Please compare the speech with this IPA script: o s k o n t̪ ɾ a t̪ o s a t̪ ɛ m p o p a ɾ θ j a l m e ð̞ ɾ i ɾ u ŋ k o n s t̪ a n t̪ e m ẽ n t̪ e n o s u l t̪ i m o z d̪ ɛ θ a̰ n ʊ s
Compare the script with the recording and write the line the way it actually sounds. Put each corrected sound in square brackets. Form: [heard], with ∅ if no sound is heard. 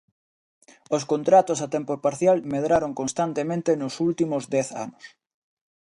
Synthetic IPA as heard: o s k o n t̪ ɾ a t̪ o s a t̪ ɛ m p o p a ɾ θ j a l m e ð̞ ɾ [a] ɾ [o] ŋ k o n s t̪ a n t̪ e m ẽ n t̪ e n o s u l t̪ i m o z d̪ ɛ θ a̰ n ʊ s